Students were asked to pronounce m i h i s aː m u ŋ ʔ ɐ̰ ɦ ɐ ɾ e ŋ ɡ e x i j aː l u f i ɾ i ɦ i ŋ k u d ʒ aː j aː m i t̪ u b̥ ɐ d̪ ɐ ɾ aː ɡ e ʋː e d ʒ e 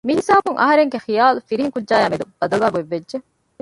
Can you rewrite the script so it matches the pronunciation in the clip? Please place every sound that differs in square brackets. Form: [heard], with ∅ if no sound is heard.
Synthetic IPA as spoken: m i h i s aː [b] u ŋ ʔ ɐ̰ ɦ ɐ ɾ e ŋ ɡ e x i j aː l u f i ɾ i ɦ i ŋ k u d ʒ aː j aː m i [d̪] u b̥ ɐ d̪ ɐ [l] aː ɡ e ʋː e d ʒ e